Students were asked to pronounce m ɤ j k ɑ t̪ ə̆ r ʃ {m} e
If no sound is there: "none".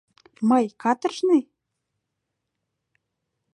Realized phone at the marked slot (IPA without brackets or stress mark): n